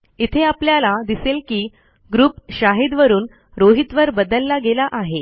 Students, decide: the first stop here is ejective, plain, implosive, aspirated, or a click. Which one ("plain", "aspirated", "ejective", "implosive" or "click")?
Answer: aspirated